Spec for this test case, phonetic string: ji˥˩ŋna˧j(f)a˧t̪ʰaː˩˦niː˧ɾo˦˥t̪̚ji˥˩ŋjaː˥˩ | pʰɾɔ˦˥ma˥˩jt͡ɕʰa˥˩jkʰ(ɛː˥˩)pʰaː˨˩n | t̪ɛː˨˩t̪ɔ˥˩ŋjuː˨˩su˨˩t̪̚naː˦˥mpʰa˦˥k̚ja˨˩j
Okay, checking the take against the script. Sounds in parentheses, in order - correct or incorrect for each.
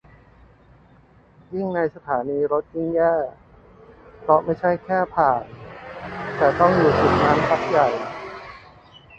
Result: incorrect, correct

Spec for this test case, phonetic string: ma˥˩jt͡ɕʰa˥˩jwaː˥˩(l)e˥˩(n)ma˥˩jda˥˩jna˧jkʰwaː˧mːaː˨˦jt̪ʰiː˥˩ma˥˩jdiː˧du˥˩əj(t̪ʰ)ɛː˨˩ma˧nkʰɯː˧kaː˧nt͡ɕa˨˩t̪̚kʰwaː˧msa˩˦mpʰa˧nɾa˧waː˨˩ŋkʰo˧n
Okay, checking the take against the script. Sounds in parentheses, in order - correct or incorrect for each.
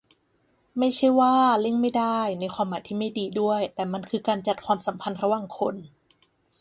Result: correct, incorrect, incorrect

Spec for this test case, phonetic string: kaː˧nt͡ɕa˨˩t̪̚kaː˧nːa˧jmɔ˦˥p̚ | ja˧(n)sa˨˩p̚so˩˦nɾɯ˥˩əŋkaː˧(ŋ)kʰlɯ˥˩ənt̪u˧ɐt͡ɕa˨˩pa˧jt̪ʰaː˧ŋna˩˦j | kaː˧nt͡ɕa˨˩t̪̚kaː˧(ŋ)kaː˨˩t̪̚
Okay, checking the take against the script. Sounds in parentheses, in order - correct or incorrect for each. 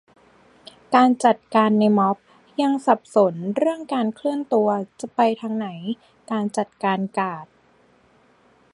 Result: incorrect, incorrect, incorrect

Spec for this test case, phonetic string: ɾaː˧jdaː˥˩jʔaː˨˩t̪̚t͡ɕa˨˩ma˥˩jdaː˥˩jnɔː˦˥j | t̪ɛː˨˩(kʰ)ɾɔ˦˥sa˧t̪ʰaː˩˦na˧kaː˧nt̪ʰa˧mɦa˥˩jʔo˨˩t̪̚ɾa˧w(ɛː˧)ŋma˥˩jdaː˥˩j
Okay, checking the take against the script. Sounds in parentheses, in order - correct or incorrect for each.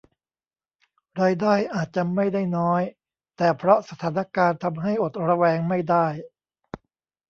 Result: incorrect, correct

